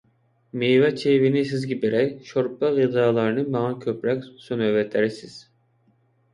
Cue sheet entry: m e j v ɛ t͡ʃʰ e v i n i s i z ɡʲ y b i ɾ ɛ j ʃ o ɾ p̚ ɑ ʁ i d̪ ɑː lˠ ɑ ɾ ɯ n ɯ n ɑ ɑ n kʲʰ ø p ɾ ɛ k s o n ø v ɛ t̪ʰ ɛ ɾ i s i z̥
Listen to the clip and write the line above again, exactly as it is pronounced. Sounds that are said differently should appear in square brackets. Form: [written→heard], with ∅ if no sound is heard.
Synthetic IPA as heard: m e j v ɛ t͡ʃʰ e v i n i s i z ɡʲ [y→i] b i ɾ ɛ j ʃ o ɾ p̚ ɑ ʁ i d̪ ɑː lˠ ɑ ɾ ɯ n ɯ [n→m] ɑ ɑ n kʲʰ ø p ɾ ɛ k s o n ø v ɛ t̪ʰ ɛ ɾ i s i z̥